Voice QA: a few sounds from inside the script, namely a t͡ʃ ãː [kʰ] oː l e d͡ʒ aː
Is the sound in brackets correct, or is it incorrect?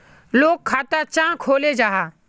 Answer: correct